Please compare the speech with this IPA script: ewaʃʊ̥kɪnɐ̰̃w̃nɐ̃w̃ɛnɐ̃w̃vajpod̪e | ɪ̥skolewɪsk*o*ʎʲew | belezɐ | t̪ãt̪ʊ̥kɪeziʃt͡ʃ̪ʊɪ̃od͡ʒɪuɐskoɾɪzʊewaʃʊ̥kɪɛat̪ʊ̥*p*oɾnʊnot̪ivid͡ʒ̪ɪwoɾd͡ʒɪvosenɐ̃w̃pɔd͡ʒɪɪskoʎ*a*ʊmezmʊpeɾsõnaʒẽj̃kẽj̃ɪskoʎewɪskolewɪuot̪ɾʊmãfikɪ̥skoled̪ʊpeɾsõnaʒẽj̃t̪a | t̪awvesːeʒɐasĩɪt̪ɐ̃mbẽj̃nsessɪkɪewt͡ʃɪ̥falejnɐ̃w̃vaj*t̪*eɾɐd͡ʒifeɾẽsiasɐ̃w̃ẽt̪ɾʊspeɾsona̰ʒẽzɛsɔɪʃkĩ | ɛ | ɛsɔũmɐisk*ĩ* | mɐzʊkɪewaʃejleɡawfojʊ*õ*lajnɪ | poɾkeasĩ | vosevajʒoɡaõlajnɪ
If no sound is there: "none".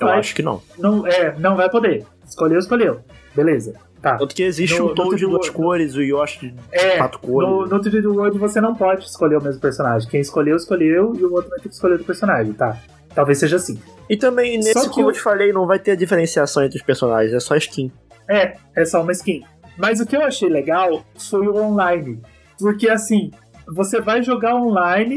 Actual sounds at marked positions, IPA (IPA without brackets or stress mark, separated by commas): o, k, e, t̪, ĩ, õ